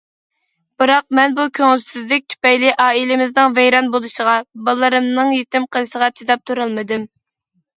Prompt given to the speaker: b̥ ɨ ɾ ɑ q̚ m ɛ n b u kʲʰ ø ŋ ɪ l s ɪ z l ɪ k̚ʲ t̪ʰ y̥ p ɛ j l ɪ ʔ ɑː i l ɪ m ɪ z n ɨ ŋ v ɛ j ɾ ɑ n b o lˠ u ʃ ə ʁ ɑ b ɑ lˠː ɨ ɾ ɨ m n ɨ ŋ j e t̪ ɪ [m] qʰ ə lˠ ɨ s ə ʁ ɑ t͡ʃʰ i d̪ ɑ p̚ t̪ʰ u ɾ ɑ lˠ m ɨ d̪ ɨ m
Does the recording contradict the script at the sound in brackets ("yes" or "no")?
no